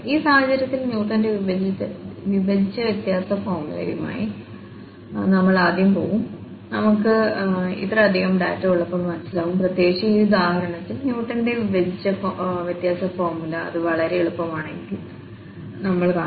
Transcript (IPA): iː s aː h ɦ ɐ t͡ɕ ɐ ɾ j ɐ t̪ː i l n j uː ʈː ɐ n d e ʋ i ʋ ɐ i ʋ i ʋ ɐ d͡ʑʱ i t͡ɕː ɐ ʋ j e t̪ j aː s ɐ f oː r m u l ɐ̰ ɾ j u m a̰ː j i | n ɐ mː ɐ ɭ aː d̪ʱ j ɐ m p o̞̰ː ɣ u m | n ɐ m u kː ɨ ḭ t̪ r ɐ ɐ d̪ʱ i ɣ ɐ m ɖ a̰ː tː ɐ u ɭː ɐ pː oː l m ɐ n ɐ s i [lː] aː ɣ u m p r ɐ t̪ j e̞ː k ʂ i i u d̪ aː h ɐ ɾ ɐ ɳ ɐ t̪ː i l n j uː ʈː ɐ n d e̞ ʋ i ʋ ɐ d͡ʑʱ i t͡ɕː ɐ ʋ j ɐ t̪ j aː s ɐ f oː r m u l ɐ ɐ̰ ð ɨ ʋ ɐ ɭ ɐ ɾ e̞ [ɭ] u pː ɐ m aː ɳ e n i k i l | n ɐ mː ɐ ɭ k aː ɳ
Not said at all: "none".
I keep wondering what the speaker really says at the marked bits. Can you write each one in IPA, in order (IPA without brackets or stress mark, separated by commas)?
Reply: l, ɭ